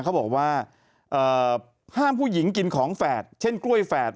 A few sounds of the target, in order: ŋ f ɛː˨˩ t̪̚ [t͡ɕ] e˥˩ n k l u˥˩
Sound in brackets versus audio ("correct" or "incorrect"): incorrect